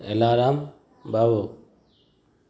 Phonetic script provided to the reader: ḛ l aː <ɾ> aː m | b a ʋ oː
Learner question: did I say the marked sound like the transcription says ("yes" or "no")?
yes